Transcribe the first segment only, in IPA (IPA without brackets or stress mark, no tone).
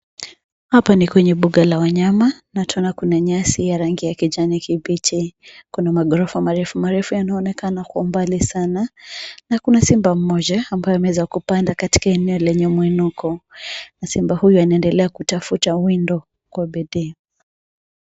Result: h